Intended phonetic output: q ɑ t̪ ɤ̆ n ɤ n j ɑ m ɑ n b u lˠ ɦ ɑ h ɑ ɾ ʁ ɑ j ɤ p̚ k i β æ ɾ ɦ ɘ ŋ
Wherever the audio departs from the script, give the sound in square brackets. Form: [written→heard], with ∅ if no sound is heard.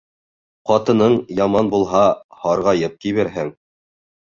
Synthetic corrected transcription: q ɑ t̪ ɤ̆ n ɤ [n→ɴ] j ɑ m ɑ n b u lˠ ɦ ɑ h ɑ ɾ ʁ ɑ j ɤ p̚ k i β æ ɾ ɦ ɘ ŋ